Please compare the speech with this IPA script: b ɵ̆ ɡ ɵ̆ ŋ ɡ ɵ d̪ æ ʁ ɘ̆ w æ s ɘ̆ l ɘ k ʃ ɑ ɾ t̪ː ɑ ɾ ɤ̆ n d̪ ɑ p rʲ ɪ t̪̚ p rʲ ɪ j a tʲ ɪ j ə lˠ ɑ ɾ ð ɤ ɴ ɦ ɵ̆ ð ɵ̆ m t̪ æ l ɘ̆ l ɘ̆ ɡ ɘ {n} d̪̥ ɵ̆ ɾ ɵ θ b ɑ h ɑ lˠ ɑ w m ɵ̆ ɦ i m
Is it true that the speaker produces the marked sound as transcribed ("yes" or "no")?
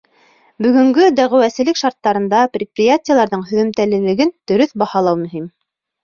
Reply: yes